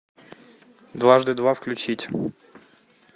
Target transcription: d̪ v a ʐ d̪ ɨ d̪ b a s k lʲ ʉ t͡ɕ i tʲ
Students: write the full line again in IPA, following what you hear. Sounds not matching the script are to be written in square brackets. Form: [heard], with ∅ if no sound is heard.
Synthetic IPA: d̪ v a ʐ d̪ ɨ d̪ [v] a [f] k lʲ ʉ t͡ɕ i tʲ

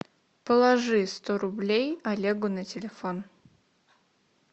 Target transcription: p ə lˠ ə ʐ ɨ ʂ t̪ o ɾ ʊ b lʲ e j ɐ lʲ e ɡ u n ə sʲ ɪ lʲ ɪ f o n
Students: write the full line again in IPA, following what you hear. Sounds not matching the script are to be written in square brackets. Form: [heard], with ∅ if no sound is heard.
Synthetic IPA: p ə lˠ [ɐ] ʐ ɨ [s] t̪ o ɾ ʊ b lʲ e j ɐ lʲ e ɡ [ʊ] n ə [tʲ] ɪ lʲ ɪ f o n

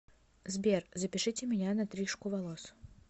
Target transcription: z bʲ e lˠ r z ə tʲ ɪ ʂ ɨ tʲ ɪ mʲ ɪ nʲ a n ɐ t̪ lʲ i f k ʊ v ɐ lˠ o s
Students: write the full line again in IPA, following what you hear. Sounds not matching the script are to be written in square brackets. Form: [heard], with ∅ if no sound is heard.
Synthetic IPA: z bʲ e [∅] r z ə [pʲ] ɪ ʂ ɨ tʲ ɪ mʲ ɪ nʲ a n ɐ t̪ [ɾʲ] i [ʂ] k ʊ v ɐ lˠ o s

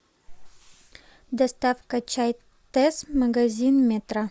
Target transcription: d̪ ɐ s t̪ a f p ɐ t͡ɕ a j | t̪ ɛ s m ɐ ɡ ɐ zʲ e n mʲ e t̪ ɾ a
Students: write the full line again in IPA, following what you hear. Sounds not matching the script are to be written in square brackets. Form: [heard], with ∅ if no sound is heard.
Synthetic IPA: d̪ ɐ s t̪ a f [k] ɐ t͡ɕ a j | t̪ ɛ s m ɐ ɡ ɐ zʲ [i] n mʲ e t̪ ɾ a

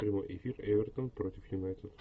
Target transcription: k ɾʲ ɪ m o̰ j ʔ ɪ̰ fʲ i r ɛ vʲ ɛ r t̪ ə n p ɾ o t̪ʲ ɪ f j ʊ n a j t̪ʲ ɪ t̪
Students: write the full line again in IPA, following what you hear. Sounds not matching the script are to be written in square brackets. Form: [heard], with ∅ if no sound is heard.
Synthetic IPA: [p] ɾʲ ɪ m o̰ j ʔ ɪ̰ fʲ i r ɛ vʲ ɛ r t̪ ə n p ɾ o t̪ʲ ɪ f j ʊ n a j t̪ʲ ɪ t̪

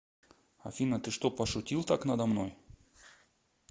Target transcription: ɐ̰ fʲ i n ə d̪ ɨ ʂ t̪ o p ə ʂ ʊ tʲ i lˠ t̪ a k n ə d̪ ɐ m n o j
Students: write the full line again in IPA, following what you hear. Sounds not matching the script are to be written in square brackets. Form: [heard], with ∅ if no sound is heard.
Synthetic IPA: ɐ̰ fʲ i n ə [t̪] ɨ ʂ t̪ o p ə ʂ ʊ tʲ i lˠ t̪ a k n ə d̪ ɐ m n o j

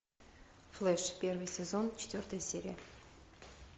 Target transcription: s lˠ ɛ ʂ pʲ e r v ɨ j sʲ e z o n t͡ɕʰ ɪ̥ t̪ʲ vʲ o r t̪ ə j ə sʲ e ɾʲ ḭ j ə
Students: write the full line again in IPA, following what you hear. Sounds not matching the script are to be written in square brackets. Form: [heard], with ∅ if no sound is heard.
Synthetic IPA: [f] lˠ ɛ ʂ pʲ e r v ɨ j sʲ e z o n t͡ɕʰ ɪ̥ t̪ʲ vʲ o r t̪ ə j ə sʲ e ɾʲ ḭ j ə

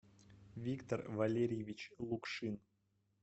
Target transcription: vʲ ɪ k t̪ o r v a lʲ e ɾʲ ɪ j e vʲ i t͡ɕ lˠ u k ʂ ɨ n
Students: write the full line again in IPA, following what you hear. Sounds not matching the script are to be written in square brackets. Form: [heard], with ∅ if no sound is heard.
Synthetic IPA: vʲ [i] k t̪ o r v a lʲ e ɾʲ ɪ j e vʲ i t͡ɕ lˠ u k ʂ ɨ n

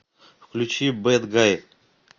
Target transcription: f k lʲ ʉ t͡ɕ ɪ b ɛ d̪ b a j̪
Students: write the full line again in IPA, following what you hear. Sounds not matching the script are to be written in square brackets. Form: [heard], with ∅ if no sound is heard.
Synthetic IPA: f k lʲ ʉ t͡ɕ [i] b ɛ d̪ [ɡ] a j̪

